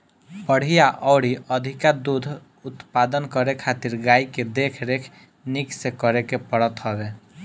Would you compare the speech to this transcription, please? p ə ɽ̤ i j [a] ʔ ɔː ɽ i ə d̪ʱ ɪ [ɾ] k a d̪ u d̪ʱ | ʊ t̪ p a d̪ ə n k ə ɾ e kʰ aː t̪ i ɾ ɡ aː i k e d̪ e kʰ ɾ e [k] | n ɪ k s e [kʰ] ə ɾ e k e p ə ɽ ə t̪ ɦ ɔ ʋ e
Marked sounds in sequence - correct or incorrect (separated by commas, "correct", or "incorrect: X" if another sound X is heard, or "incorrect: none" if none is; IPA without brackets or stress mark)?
correct, incorrect: none, incorrect: kʰ, incorrect: k